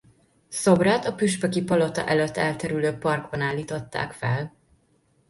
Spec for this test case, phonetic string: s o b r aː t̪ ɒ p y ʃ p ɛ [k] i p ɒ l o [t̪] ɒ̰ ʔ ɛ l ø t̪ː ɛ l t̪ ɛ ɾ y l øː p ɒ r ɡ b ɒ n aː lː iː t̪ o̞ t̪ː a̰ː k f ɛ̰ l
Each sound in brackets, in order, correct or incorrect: correct, correct

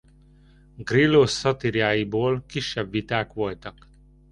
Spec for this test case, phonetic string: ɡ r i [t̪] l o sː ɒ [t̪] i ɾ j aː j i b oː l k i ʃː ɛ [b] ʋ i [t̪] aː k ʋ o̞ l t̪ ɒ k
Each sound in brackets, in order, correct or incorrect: incorrect: none, correct, correct, correct

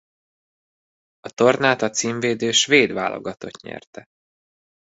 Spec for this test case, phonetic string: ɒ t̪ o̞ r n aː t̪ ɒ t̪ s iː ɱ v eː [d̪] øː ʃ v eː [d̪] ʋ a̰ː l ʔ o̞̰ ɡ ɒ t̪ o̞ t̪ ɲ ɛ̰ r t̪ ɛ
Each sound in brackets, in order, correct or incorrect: correct, correct

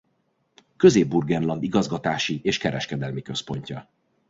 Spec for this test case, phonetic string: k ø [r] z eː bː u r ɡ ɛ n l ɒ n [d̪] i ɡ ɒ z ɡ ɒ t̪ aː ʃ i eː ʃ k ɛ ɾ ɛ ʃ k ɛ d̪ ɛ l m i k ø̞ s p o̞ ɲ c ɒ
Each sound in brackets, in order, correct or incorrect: incorrect: none, correct

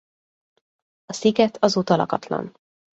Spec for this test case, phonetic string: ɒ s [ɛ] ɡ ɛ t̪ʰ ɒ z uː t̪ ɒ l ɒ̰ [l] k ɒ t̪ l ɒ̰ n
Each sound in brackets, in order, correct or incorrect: incorrect: i, incorrect: none

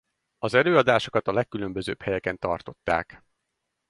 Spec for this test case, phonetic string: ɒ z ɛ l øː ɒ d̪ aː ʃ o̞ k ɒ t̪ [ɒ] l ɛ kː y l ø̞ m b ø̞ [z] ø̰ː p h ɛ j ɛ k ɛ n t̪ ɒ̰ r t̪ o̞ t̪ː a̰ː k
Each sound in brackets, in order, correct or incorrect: correct, correct

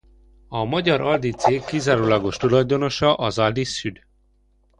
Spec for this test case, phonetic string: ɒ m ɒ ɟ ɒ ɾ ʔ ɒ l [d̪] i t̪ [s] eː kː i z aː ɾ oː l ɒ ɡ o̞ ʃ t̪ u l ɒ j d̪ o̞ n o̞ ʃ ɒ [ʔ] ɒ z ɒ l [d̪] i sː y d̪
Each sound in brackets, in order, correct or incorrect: correct, correct, correct, correct

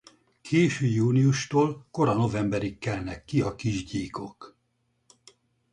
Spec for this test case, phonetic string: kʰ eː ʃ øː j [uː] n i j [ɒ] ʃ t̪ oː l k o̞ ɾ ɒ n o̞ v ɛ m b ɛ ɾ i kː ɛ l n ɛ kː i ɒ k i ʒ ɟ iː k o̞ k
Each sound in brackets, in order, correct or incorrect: correct, incorrect: u

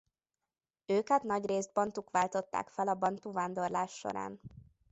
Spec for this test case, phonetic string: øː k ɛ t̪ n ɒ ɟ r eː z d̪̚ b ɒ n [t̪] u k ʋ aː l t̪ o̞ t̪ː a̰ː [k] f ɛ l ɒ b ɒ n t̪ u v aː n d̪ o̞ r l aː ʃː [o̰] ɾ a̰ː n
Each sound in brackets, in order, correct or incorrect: correct, correct, correct

